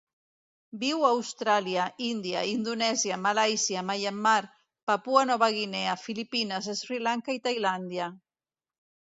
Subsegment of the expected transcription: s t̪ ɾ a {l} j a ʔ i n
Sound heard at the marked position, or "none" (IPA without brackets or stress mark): l